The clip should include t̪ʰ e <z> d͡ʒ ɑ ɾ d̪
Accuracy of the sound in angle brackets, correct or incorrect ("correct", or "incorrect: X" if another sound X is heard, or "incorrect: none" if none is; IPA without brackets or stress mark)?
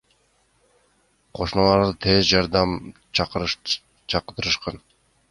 correct